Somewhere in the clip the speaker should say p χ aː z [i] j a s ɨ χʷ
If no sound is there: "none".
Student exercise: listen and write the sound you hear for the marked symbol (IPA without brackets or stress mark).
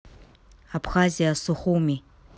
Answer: i